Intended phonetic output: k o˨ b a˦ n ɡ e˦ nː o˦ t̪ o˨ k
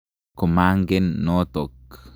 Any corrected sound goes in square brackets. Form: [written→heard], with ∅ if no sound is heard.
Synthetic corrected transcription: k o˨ [b→m] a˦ [n→ŋ] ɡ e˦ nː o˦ t̪ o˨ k